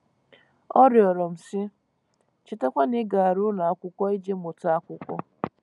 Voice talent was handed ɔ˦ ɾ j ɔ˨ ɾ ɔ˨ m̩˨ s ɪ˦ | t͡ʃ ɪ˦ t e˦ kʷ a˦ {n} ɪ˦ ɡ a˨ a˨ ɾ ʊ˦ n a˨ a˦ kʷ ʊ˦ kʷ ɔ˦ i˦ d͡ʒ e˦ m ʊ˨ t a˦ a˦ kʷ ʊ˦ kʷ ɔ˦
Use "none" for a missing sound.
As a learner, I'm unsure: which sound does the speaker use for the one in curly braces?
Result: n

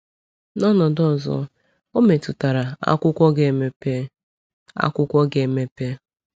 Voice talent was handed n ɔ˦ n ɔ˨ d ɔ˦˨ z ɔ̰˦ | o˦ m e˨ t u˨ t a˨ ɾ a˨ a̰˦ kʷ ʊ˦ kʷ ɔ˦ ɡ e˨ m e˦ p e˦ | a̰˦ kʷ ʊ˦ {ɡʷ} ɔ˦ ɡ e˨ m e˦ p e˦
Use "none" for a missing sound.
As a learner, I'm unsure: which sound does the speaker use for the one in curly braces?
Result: kʷ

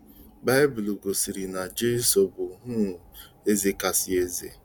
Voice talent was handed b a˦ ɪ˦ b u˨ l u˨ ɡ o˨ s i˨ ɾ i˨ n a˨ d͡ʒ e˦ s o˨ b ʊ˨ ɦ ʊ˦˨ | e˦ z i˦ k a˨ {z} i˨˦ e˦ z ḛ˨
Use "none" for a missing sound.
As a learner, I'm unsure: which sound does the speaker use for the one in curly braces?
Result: s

